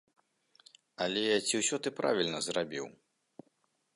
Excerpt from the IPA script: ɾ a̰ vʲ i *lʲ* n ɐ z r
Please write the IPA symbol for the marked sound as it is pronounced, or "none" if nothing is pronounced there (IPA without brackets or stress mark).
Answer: lʲ